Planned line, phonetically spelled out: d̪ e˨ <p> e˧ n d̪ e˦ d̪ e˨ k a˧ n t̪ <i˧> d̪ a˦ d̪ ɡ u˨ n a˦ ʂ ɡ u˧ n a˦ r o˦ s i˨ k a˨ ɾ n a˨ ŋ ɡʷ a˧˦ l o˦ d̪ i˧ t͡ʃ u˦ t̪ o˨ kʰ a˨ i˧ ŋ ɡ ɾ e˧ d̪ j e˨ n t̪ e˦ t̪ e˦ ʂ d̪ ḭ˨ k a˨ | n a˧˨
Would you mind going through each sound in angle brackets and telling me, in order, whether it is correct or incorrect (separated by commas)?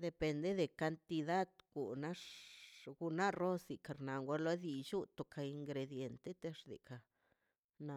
correct, correct